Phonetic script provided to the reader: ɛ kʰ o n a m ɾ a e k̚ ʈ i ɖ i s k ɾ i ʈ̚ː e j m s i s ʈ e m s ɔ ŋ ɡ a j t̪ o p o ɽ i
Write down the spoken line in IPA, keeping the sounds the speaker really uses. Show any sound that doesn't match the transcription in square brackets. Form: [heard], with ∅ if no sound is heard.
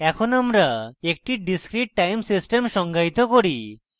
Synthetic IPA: ɛ kʰ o n a m ɾ a e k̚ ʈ i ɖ i s k ɾ i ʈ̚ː [a] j m s i s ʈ e m [ʃ] ɔ ŋ ɡ a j t̪ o [k] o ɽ i